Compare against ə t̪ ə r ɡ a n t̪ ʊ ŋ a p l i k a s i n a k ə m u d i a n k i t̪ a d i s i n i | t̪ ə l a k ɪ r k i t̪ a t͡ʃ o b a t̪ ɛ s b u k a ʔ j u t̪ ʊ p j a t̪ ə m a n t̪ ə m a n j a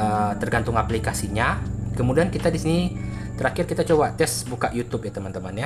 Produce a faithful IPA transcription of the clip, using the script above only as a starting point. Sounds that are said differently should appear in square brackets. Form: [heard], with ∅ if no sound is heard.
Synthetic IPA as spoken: ə t̪ ə r ɡ a n t̪ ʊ ŋ a p l i k a s i [ɲ] a k ə m u d i a n k i t̪ a d i s i n i | t̪ ə [ɾ] a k ɪ r k i t̪ a t͡ʃ o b a t̪ ɛ s b u k a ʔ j u t̪ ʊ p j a t̪ ə m a n t̪ ə m a n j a

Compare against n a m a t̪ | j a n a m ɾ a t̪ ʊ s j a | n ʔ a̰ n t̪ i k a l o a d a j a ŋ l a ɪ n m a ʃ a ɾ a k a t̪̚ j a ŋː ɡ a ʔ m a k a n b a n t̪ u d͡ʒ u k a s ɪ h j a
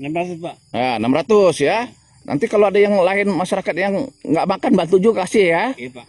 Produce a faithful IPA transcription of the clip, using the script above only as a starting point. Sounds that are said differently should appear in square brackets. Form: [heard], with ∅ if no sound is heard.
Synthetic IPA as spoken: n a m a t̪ | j a n a m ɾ a t̪ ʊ s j a | n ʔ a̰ n t̪ i k a l o a d a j a ŋ l a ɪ n m a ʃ a ɾ a k a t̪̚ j a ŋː ɡ a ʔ m a k a n b a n t̪ u d͡ʒ u k a s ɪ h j a

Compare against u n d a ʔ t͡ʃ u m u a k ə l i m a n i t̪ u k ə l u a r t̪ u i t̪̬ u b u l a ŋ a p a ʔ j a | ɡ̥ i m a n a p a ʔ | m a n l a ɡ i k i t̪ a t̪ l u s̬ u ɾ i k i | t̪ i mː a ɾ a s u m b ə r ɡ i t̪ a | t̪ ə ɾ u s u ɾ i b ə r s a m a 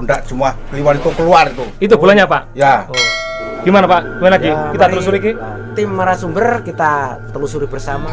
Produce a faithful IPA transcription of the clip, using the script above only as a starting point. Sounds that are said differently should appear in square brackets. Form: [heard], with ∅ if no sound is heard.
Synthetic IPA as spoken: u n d a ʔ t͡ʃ u m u a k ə l i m a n i t̪ u k ə l u a r t̪ u i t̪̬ u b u l a [ɲ] a p a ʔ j a | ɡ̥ i m a n a p a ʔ | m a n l a ɡ i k i t̪ a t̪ l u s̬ u ɾ i k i | t̪ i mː a ɾ a s u m b ə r [k] i t̪ a | t̪ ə [l] u s u ɾ i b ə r s a m a

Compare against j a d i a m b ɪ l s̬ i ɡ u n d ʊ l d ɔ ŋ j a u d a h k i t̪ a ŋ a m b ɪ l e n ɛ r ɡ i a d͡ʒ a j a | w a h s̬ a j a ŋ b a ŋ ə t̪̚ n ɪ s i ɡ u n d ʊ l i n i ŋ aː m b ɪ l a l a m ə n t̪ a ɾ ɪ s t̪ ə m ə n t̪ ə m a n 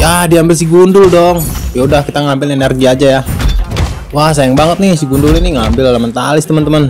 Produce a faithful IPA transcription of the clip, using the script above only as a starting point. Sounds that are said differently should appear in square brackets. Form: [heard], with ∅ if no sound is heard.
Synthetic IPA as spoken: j a d i a m b ɪ l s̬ i ɡ u n d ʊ l d ɔ ŋ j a u d a h k i t̪ a ŋ a m b ɪ l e n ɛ r ɡ i a d͡ʒ a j a | w a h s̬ a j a ŋ b a ŋ ə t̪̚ n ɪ s i ɡ u n d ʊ l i n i ŋ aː m b ɪ l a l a m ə n t̪ a [l] ɪ s t̪ ə m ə n t̪ ə m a n

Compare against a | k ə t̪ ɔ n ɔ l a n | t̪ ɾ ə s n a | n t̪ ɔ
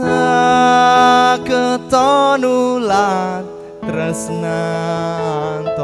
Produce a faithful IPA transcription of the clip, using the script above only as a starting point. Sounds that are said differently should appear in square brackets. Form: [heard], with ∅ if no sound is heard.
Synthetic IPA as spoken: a | k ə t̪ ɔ n [u] l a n | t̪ ɾ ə s n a | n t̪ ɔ

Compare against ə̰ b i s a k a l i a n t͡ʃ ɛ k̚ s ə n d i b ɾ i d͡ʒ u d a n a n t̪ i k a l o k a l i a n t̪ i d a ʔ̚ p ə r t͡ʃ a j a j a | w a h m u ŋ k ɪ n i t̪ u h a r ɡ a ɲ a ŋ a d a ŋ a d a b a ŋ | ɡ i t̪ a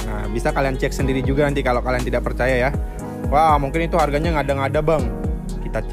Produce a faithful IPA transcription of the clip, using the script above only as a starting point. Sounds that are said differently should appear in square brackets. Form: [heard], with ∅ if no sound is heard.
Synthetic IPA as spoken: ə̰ b i s a k a l i a n t͡ʃ ɛ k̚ s ə n d i [∅] ɾ i d͡ʒ u [ɡ] a n a n t̪ i k a l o k a l i a n t̪ i d a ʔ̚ p ə r t͡ʃ a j a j a | w a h m u ŋ k ɪ n i t̪ u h a r ɡ a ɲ a ŋ a d a ŋ a d a b a ŋ | [k] i t̪ a

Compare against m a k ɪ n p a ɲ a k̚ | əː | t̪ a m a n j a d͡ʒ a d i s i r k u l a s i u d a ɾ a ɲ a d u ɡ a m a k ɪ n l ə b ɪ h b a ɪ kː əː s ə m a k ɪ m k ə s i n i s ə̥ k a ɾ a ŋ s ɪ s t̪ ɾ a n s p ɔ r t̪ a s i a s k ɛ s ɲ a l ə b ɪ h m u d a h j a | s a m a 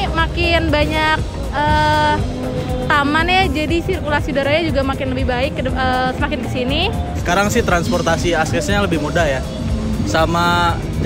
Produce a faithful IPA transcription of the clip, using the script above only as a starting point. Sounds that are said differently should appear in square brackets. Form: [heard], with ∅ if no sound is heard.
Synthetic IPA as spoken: m a k ɪ n [b] a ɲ a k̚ | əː | t̪ a m a n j a d͡ʒ a d i s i r k u l a s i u d a ɾ a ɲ a [d͡ʒ] u ɡ a m a k ɪ n l ə b ɪ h b a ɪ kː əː s ə m a k ɪ [n] k ə s i n i s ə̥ k a ɾ a ŋ s ɪ [h] t̪ ɾ a n s p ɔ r t̪ a s i a s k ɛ s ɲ a l ə b ɪ h m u d a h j a | s a m a

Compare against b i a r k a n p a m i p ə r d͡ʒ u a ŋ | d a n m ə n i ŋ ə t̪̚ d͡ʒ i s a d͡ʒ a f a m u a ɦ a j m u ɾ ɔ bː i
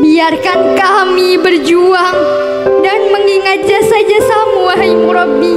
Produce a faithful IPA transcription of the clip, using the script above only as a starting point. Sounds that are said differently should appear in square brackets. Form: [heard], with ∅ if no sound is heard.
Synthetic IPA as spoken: b i a r k a n [k] a m i [b] ə r d͡ʒ u a ŋ | d a n m ə [ŋ] i ŋ [a] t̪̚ d͡ʒ [a] s a d͡ʒ a [s] a m u a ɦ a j m u ɾ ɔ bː i

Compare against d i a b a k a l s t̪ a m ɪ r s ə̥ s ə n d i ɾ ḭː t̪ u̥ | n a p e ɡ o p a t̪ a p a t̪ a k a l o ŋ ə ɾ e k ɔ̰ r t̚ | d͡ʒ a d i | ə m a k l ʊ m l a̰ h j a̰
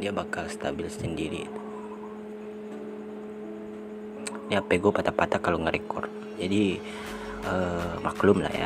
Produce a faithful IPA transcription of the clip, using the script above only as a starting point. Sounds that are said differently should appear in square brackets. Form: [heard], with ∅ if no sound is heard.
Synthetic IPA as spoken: d i a b a k a l s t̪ a [b] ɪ [l] s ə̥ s ə n d i ɾ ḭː t̪ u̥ | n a p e ɡ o p a t̪ a p a t̪ a k a l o ŋ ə ɾ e k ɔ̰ r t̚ | d͡ʒ a d i | ə m a k l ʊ m l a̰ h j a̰

